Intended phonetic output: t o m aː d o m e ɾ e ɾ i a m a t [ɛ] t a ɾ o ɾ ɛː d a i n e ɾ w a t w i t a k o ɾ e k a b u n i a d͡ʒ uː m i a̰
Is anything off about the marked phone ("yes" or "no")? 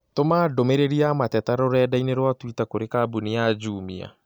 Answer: no